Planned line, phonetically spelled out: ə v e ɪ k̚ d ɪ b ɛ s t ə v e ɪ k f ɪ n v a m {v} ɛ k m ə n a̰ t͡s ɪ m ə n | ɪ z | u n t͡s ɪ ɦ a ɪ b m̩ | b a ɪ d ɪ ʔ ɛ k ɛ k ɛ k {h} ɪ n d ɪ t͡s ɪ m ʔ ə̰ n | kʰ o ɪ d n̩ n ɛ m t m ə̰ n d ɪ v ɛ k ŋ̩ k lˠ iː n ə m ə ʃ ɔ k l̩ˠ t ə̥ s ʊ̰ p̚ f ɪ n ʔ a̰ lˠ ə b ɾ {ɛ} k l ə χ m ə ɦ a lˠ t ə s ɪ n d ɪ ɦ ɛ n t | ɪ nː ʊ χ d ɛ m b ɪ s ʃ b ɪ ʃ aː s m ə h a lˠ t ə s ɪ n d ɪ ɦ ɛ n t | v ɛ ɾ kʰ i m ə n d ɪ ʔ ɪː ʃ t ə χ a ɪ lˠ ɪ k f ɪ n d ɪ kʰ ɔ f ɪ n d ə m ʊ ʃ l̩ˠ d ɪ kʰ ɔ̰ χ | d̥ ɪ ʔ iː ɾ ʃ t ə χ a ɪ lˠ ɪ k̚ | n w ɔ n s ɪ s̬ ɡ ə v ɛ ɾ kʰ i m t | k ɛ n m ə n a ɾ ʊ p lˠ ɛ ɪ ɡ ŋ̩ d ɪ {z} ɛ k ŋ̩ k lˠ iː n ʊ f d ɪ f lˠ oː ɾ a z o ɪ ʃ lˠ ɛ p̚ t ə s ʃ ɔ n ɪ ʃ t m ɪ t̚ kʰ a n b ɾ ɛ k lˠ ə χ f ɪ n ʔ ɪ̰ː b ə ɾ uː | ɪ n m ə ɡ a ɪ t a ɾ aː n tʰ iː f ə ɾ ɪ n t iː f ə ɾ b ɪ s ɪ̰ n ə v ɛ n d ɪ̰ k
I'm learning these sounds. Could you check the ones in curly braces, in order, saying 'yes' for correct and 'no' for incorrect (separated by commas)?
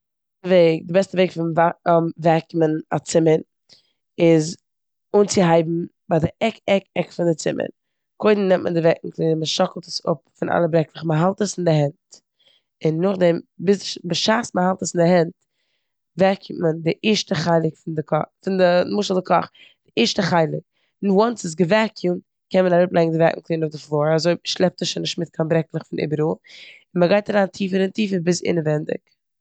yes, no, yes, no